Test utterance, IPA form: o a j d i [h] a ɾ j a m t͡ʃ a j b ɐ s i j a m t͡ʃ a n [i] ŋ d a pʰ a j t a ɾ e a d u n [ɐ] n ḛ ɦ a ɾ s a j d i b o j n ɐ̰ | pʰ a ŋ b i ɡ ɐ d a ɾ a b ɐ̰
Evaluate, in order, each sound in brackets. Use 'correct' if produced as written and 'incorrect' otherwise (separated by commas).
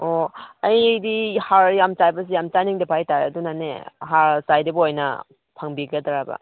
correct, correct, incorrect